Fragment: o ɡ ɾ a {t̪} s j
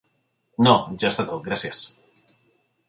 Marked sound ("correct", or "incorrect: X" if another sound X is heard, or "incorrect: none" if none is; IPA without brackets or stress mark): incorrect: none